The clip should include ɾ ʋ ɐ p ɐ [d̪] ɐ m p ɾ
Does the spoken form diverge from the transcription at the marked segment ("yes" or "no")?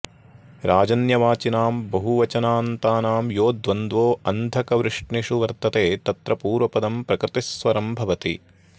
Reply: no